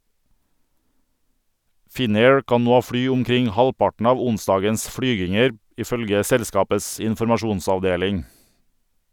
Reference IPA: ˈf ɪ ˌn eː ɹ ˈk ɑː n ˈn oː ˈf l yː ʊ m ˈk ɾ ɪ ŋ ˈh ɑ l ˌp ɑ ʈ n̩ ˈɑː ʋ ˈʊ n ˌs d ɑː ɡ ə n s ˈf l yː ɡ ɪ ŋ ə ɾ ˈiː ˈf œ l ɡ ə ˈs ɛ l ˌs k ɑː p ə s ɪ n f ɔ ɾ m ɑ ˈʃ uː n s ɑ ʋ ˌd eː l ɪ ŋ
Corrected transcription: ˈf ɪ ˌn eː ɹ ˈk ɑː n ˈn oː ˈf ɽ yː ʊ m ˈk ɾ ɪ ŋ ˈh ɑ l ˌp ɑ ʈ n̩ ˈɑː ʋ ˈʊ n ˌs d ɑː ɡ ə n s ˈf ɽ yː ɡ ɪ ŋ ə ɾ ˈiː ˈf œ l ɡ ə ˈs ɛ l ˌs k ɑː p ə s ɪ n f ɔ ɾ m ɑ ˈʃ uː n s ɑ ʋ ˌd eː l ɪ ŋ